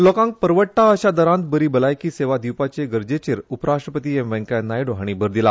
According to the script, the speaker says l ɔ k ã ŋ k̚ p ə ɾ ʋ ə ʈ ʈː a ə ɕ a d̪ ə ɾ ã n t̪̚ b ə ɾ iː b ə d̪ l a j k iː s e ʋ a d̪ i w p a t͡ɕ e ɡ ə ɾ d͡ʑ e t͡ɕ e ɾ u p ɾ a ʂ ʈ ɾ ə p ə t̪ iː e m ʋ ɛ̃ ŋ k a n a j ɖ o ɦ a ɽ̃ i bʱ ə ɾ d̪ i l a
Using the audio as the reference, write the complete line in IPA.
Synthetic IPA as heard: l ɔ k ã ŋ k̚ p ə ɾ ʋ ə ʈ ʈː a ə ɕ a d̪ ə ɾ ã n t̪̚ b ə ɾ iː b ə l a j k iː s e ʋ a d̪ i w p a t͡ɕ e ɡ ə ɾ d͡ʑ e t͡ɕ e ɾ u p ɾ a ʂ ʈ ɾ ə p ə t̪ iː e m ʋ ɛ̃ ŋ k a n a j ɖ o ɦ a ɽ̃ i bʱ ə ɾ d̪ i l a